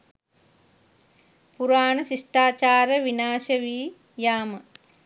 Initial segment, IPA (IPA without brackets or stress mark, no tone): p